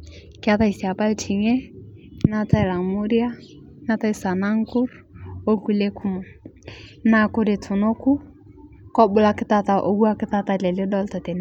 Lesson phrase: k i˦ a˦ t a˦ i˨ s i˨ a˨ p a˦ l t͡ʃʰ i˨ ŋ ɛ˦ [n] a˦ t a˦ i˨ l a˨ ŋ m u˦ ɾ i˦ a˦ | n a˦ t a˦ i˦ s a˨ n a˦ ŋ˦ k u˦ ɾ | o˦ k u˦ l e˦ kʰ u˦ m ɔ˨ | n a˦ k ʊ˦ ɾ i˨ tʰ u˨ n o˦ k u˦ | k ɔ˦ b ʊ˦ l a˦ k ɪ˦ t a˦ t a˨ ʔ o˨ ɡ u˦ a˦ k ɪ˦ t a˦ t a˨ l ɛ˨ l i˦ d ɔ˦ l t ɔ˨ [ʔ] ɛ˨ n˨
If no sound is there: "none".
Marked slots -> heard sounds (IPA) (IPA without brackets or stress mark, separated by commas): n, t